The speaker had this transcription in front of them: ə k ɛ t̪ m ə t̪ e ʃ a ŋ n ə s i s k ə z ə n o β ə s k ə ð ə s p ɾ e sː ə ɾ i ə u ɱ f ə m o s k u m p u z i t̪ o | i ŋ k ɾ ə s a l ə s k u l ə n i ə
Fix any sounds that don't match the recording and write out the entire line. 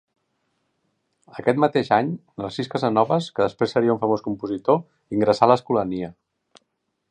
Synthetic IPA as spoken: ə k ɛ t̪ m ə t̪ e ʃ a ɲ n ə s i s k ə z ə n ɔ β ə s k ə ð ə s p ɾ e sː ə ɾ i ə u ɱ f ə m o s k u m p u z i t̪ o | i ŋ ɡ ɾ ə s a l ə s k u l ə n i ə